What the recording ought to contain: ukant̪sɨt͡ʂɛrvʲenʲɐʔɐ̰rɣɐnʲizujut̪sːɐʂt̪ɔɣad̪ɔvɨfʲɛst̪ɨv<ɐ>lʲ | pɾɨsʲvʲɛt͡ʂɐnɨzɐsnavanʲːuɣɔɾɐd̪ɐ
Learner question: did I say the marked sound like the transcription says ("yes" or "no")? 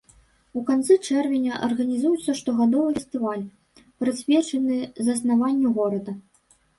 no